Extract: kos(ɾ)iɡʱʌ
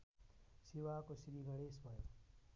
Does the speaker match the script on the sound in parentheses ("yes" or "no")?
yes